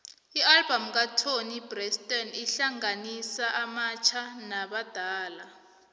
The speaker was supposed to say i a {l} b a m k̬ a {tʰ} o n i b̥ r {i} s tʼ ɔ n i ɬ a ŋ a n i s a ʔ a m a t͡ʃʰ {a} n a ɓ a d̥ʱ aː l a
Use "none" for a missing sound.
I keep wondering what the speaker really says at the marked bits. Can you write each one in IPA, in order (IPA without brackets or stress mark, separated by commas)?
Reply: l, tʰ, ɛ, a